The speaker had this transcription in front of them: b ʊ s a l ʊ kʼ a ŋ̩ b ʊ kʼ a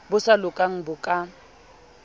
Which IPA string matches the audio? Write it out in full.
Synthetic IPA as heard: b ʊ s a l ʊ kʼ a ŋ̩ b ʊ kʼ a